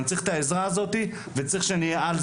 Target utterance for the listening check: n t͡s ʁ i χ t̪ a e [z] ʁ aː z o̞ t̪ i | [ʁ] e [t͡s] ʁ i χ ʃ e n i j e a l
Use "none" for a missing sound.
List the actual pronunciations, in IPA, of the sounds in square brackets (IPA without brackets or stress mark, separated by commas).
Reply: z, v, t͡s